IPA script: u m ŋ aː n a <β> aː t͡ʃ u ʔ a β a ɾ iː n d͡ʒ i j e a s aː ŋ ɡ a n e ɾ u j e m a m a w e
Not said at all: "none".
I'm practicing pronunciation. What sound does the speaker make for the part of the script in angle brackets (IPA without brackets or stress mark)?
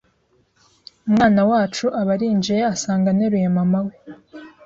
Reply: w